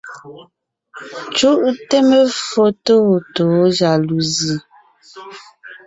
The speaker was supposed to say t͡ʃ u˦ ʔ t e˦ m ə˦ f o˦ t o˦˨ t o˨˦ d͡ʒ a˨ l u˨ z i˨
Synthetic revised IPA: t͡ʃ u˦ ʔ t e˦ m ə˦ f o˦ t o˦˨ t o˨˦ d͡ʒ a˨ l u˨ z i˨

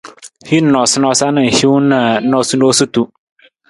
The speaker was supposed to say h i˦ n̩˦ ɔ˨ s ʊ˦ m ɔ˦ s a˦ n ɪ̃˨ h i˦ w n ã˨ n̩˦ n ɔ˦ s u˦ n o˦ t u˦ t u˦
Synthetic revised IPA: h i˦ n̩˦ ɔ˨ s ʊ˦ n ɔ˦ s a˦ n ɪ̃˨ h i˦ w n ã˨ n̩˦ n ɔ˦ s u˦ n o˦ s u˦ t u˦

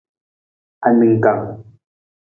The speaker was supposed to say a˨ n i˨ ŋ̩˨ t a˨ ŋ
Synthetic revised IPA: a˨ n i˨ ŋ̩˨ k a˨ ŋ

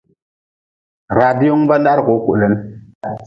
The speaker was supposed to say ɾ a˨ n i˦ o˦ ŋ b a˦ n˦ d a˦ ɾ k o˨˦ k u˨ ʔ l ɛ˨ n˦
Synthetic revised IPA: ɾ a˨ d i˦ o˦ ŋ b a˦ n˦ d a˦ ɾ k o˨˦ k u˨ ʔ l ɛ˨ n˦

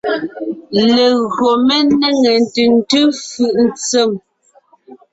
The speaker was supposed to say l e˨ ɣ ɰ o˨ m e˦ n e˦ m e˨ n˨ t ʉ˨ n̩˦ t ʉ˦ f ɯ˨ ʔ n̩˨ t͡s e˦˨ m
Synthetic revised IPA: l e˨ ɣ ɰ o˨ m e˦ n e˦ ŋ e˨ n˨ t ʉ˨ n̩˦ t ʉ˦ f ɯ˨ ʔ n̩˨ t͡s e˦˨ m

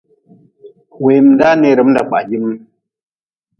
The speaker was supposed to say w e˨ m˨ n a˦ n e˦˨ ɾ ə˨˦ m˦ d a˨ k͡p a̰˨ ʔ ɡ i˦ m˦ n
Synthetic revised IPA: w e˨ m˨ d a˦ n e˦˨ ɾ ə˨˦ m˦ d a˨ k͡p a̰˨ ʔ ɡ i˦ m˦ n

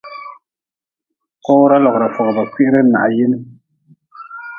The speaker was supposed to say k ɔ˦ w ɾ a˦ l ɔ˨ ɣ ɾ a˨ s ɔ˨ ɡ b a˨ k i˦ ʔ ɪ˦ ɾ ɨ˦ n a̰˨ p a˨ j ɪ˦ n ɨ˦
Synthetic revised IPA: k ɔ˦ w ɾ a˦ l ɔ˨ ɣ ɾ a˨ f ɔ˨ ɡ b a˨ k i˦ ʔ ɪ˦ ɾ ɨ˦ n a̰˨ ʔ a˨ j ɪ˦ n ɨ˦

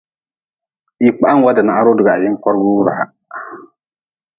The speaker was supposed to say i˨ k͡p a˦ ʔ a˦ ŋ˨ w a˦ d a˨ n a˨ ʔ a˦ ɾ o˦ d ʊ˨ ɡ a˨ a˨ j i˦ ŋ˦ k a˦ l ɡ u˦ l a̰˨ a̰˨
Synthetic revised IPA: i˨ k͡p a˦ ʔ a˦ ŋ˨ w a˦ d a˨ n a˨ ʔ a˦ ɾ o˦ d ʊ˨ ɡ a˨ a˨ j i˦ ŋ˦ k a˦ ɾ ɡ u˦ ɾ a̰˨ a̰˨

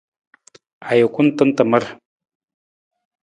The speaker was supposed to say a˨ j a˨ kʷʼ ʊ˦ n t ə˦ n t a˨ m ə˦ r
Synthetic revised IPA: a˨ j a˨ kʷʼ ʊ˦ n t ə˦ n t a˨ m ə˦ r

